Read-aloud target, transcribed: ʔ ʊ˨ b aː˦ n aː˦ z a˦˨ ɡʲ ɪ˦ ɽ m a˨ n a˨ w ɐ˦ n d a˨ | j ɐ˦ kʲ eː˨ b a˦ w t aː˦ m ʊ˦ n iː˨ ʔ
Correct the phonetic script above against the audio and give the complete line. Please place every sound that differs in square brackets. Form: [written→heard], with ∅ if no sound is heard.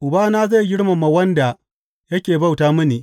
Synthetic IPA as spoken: ʔ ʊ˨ b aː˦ n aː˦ z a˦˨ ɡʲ ɪ˦ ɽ m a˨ [n→m] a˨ w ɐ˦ n d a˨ | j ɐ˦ kʲ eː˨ b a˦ w t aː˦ m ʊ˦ n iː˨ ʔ